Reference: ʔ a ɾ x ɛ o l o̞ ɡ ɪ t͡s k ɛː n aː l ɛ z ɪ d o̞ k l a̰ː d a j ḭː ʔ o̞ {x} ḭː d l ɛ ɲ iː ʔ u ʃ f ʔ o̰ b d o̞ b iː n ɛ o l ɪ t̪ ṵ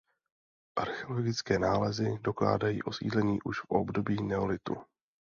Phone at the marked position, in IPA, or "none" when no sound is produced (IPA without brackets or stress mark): s